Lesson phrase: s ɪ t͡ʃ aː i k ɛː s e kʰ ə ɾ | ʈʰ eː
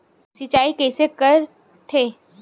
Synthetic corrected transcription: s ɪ t͡ʃ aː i k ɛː s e k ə ɾ | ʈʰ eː